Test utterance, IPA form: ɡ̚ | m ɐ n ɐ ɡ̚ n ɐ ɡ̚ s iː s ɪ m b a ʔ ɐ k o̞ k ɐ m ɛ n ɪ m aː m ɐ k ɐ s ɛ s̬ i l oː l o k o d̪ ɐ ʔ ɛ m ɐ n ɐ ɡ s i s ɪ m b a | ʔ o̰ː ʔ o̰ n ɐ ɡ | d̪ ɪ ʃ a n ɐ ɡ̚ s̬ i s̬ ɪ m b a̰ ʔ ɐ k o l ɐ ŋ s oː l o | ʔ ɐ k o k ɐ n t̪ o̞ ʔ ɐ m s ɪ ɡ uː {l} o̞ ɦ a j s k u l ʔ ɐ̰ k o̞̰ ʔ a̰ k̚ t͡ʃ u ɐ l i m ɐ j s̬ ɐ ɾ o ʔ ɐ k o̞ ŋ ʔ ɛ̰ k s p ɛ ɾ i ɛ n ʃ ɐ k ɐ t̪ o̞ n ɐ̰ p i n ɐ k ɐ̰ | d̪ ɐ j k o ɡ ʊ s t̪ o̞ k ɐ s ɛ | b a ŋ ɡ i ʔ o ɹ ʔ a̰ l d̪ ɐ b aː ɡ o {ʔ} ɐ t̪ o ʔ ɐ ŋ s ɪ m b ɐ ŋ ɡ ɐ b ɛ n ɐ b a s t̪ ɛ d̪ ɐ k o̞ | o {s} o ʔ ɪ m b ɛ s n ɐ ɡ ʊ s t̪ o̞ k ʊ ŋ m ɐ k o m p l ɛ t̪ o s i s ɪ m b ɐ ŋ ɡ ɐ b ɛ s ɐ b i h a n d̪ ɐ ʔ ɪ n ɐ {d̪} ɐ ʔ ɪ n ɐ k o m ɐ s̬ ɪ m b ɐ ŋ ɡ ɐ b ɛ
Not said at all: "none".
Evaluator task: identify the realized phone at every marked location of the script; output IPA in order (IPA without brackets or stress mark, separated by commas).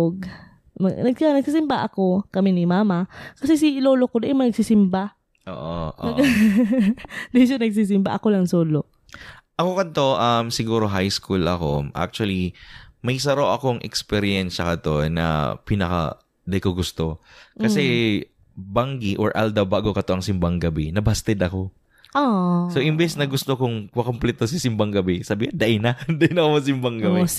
ɾ, k, s, d̪